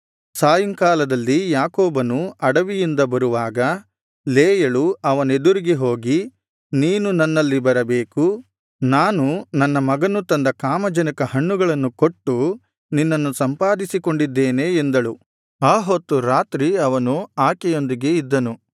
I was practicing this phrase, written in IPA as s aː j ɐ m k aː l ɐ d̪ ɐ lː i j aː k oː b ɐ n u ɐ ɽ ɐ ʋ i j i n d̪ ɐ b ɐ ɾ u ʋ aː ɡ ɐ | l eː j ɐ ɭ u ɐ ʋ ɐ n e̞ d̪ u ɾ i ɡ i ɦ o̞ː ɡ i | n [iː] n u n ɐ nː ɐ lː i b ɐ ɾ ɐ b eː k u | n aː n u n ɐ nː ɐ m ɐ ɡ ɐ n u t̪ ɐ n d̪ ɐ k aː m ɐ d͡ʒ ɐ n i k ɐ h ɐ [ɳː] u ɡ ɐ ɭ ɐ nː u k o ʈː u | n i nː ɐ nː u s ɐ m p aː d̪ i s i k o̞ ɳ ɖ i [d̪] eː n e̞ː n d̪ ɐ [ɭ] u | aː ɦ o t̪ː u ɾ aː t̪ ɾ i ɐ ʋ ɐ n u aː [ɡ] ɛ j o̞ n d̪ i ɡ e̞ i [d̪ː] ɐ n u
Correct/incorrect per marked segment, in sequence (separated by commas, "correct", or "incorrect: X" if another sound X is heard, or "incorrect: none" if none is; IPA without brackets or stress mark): correct, correct, incorrect: d̪ː, correct, incorrect: k, correct